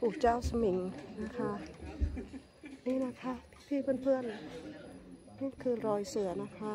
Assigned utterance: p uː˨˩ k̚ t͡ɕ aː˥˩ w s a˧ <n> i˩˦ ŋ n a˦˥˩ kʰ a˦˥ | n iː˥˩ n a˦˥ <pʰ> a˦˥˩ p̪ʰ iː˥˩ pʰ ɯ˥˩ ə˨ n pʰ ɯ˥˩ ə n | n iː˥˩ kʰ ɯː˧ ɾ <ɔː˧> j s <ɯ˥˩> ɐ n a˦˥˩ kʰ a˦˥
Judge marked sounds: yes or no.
no, no, yes, no

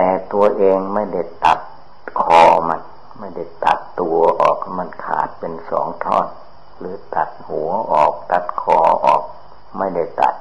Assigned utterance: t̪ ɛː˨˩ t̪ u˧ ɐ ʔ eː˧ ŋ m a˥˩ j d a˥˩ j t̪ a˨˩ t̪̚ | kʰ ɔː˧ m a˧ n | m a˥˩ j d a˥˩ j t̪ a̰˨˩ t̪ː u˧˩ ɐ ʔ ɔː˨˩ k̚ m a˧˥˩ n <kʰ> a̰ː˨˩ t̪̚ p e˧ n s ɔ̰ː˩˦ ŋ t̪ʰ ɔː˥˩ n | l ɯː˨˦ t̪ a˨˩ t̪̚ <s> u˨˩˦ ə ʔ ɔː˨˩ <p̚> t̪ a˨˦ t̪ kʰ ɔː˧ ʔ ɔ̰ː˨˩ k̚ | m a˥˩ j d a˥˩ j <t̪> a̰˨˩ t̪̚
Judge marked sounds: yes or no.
yes, no, no, yes

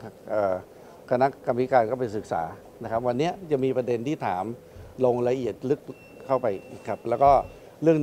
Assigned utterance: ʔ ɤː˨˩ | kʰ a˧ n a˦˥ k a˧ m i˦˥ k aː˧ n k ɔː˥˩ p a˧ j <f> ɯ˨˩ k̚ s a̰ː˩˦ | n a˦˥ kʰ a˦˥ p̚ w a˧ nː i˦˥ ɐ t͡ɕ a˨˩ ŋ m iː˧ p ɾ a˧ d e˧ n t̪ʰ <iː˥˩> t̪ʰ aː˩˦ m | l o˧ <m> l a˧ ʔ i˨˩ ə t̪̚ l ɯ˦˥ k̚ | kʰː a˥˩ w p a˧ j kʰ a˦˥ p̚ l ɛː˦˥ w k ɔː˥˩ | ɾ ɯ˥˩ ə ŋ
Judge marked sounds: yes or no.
no, yes, no

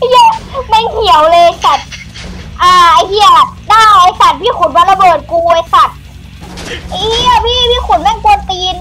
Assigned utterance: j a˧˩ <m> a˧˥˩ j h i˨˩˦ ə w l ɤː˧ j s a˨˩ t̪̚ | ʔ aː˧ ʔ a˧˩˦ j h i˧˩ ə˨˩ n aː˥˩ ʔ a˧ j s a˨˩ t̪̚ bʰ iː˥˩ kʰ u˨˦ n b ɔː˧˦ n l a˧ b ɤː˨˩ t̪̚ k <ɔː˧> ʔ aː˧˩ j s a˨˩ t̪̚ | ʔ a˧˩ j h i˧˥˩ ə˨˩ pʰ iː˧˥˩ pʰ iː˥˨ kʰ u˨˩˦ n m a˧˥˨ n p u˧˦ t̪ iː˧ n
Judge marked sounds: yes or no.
yes, no

